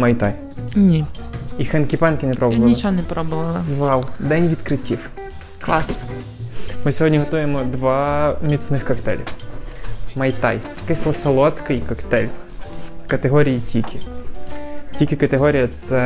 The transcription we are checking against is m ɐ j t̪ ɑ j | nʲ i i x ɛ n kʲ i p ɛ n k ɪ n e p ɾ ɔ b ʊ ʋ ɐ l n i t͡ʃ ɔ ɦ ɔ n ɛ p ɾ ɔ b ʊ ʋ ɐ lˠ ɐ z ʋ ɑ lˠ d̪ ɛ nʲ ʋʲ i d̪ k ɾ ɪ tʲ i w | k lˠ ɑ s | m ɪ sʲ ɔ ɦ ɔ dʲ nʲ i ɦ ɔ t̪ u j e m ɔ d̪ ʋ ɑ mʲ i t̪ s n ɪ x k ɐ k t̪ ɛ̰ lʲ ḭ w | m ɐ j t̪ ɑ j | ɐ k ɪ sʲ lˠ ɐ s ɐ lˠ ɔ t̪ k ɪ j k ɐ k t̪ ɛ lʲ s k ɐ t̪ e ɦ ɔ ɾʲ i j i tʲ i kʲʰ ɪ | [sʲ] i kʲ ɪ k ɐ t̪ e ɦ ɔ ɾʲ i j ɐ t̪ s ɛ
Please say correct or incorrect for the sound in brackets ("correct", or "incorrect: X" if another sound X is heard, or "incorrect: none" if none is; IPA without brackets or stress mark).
incorrect: tʲ